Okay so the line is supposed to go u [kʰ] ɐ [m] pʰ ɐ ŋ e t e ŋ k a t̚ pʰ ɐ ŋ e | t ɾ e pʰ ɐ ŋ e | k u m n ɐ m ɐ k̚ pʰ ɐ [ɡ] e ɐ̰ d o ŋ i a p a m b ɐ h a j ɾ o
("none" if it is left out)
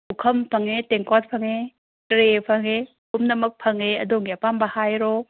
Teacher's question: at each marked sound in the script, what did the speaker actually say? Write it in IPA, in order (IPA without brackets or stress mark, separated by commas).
kʰ, m, ŋ